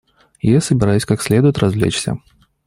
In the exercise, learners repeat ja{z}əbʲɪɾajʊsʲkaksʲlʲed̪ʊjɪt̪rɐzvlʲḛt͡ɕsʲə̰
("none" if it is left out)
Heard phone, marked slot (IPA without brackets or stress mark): s